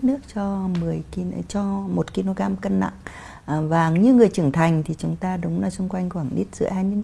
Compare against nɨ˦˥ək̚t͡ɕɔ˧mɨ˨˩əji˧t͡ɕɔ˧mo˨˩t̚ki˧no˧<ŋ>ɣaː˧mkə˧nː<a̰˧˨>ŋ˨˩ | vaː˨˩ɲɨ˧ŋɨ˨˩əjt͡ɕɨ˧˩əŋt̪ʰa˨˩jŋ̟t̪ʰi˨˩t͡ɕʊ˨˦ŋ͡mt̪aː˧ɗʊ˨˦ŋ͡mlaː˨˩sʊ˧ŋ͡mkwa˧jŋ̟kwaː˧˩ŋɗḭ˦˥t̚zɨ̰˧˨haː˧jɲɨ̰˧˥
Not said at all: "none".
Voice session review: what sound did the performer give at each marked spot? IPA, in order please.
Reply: none, a̰˧˨

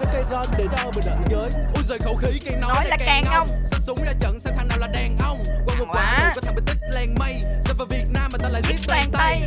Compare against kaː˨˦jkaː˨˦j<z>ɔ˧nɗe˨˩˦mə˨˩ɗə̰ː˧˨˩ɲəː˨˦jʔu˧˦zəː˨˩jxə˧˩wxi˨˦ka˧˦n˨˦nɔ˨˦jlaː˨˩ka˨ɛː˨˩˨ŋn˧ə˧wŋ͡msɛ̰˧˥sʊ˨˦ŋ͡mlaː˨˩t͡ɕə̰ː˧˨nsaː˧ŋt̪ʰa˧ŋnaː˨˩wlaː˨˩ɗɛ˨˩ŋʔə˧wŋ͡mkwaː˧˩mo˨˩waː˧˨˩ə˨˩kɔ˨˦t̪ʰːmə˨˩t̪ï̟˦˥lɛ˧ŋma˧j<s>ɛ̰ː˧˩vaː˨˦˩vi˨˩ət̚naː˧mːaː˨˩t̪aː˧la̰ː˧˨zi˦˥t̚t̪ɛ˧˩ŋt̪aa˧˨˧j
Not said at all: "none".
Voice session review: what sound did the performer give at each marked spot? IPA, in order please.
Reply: z, s

